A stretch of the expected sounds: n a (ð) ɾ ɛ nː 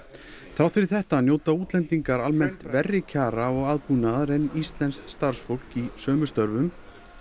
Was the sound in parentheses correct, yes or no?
yes